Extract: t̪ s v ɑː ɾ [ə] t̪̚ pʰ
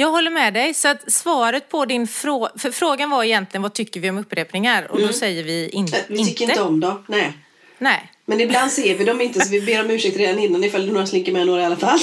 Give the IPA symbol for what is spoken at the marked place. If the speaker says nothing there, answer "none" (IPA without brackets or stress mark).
ə